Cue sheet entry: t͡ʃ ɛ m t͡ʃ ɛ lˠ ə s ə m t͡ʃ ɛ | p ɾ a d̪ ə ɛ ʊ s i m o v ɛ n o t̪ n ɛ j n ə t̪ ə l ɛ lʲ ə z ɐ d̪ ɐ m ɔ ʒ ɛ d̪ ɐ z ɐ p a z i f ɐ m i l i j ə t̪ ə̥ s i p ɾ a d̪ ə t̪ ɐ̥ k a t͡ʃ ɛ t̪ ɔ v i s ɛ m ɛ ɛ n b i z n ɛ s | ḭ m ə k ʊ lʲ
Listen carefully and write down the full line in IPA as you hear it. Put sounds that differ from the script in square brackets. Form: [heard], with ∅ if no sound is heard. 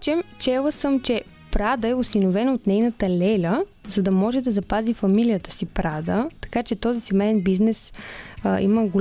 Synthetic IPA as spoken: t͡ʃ ɛ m t͡ʃ ɛ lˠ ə s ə m t͡ʃ ɛ | p ɾ a d̪ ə ɛ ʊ s i [n] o v ɛ n o t̪ n ɛ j n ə t̪ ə l ɛ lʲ ə z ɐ d̪ ɐ m ɔ ʒ ɛ d̪ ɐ z ɐ p a z i f ɐ m i l i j ə t̪ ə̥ s i p ɾ a d̪ ə t̪ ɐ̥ k a t͡ʃ ɛ t̪ ɔ [z] i s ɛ m ɛ ɛ n b i z n ɛ s | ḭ m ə [ɡ] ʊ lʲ